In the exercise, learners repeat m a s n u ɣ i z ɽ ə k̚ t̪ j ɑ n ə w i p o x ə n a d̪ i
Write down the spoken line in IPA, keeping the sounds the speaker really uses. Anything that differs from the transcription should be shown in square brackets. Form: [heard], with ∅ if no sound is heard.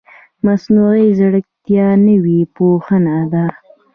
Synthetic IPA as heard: m a s n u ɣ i z ɽ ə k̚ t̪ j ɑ n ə w i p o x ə n a d̪ [a]